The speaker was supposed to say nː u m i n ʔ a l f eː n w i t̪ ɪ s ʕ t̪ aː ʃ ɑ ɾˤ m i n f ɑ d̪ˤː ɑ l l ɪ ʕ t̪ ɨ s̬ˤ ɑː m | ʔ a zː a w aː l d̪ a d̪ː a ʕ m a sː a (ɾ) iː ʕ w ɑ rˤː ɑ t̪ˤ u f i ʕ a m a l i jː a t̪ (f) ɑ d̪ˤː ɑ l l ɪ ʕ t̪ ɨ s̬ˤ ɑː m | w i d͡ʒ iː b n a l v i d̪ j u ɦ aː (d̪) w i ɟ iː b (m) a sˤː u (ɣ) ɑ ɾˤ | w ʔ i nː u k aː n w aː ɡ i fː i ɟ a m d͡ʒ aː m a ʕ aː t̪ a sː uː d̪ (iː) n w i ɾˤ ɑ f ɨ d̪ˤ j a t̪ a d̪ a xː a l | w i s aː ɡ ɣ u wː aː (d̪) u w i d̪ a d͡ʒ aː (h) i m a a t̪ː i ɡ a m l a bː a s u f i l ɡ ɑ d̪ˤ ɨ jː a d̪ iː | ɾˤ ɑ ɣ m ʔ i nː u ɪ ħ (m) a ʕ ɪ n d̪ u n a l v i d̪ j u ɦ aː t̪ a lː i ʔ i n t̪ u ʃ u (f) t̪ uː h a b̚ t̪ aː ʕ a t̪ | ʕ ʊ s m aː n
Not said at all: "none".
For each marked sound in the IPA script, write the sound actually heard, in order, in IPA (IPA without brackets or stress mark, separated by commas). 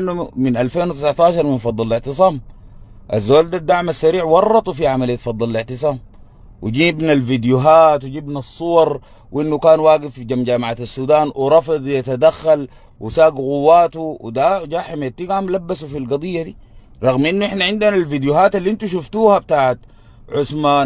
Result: ɾ, f, t̪, n, w, aː, t̪, ħ, n, f